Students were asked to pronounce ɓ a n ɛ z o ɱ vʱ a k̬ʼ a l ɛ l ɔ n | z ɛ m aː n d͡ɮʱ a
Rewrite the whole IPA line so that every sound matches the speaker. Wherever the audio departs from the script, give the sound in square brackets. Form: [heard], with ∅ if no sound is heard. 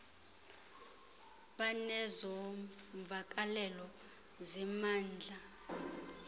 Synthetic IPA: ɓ a n ɛ z [ɔ] ɱ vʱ a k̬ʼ a l ɛ l ɔ [∅] | z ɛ m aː n d͡ɮʱ a